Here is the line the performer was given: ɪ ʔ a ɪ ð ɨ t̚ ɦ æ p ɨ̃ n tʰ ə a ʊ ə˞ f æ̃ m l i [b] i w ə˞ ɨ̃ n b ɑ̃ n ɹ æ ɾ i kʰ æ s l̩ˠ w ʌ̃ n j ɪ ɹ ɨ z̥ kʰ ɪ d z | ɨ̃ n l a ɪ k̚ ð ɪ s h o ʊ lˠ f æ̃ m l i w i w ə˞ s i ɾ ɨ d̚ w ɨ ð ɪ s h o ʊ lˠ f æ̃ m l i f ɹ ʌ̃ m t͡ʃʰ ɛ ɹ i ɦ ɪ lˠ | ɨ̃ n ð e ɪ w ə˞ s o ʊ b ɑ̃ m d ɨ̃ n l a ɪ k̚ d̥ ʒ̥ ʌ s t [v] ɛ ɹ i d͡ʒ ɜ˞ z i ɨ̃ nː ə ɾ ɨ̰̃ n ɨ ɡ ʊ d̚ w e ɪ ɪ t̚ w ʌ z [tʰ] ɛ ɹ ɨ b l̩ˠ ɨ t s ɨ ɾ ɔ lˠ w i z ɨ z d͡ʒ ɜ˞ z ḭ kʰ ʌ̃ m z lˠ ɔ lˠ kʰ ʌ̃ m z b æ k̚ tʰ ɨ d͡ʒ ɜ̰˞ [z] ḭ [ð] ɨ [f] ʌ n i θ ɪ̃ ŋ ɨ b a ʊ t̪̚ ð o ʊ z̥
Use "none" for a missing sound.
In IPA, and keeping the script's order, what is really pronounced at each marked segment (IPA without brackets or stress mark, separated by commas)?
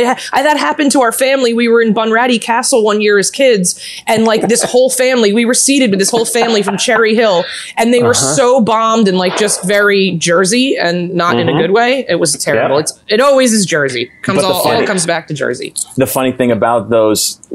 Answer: w, v, tʰ, z, ð, f